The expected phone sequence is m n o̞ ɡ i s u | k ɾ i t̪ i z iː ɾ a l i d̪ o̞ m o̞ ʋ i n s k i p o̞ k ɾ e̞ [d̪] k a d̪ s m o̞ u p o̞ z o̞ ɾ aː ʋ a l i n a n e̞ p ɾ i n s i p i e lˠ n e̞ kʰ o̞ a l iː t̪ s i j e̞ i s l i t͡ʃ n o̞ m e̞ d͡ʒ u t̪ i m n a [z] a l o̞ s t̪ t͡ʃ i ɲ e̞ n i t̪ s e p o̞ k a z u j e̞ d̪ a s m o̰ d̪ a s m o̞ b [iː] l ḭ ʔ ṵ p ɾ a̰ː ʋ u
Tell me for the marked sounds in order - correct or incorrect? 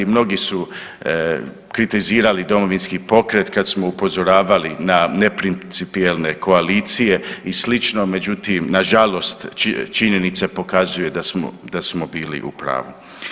incorrect: t̪, incorrect: ʒ, correct

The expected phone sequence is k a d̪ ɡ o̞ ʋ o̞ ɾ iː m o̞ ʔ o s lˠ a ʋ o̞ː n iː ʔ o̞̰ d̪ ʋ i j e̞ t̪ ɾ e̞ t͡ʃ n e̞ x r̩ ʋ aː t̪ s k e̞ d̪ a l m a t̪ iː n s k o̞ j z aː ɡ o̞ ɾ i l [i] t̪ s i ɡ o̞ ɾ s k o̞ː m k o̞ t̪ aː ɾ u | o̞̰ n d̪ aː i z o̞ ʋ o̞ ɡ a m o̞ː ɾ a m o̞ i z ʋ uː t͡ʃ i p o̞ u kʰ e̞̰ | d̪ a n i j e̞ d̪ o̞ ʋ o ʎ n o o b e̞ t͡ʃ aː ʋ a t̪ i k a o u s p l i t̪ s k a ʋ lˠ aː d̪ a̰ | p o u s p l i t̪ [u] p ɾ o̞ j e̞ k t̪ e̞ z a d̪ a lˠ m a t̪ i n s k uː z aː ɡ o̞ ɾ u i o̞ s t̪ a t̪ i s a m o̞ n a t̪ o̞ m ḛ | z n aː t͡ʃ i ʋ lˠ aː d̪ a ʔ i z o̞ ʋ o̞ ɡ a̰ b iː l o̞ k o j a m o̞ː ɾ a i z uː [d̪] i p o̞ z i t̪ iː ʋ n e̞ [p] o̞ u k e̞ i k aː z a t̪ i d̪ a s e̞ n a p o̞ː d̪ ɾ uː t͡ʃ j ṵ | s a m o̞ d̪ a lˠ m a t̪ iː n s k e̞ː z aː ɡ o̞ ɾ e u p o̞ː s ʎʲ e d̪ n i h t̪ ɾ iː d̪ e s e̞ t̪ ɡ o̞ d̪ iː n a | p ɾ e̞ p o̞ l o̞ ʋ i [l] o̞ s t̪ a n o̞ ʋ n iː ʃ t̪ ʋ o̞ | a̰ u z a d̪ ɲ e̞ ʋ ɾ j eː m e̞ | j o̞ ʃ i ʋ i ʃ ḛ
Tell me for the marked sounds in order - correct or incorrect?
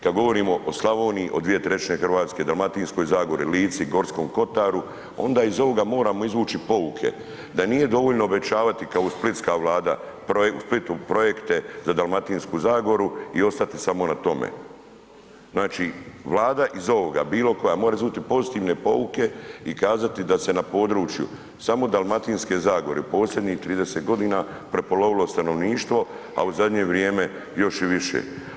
incorrect: iː, correct, incorrect: t̪, correct, correct

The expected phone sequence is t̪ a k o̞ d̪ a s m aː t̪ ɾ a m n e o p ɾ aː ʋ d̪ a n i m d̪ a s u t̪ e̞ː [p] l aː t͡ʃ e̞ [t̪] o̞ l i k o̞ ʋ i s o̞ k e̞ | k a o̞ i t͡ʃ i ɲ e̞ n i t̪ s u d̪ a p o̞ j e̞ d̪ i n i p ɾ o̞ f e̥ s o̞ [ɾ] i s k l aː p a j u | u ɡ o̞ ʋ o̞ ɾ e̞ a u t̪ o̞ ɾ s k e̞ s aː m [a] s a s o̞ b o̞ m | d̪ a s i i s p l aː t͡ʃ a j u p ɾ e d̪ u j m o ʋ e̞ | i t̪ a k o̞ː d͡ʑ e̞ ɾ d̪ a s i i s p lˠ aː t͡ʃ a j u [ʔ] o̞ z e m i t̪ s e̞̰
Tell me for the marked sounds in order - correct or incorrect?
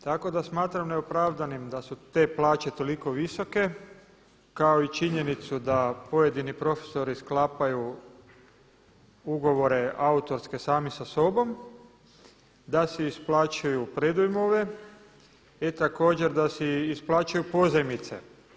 correct, correct, correct, incorrect: i, incorrect: p

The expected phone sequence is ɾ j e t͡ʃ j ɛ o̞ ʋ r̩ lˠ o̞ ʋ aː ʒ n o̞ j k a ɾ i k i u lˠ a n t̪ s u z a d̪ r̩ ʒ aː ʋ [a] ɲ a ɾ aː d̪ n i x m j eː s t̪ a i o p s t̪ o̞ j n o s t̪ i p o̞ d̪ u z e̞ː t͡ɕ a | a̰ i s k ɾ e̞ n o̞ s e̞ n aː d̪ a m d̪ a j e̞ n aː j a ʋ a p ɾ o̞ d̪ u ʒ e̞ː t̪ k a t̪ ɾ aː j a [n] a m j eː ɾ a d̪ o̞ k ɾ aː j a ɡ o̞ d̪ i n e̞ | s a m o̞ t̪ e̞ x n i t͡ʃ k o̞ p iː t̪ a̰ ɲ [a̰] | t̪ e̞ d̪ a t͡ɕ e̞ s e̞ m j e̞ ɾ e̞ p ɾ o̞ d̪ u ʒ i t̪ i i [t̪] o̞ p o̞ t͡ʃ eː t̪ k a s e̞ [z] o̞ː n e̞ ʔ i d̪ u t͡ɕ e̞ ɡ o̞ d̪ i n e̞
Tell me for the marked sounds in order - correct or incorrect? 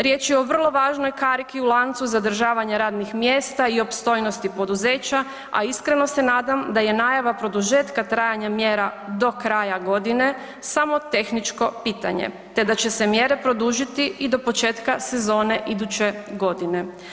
correct, incorrect: ɲ, incorrect: ḛ, incorrect: d̪, correct

